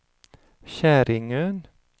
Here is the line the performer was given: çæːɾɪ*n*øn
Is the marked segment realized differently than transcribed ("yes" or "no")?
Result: yes